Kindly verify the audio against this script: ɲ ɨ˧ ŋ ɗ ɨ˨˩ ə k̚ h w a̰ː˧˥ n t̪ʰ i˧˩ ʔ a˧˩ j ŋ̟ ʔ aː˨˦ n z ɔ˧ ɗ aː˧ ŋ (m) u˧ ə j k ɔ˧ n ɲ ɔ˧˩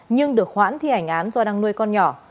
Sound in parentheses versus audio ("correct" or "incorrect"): incorrect